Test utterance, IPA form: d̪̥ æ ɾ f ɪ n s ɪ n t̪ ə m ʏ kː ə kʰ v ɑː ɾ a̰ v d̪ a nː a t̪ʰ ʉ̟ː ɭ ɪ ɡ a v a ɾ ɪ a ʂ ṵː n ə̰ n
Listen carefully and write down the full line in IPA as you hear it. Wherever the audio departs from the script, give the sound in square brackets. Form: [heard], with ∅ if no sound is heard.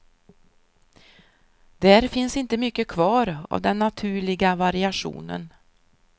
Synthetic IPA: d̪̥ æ ɾ f ɪ n s ɪ n t̪ ə m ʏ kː ə kʰ v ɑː ɾ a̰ v d̪ [ɛ] nː a t̪ʰ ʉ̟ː ɭ ɪ ɡ a v a ɾ ɪ a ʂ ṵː n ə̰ n